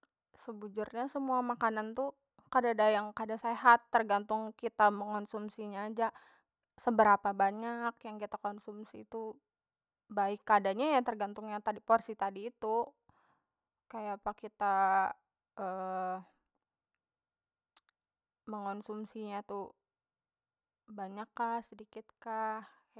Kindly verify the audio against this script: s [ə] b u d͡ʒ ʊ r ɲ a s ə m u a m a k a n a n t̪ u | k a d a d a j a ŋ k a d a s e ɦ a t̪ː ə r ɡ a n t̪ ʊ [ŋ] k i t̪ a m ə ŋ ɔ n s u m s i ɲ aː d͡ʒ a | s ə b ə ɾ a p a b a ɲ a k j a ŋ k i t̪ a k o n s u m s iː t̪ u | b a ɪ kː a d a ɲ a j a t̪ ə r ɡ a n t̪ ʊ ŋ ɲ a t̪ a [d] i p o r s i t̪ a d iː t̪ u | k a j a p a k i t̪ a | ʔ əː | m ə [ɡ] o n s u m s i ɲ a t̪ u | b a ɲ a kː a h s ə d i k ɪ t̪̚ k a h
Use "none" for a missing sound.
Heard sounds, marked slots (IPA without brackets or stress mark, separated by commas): ə, ŋ, d, ŋ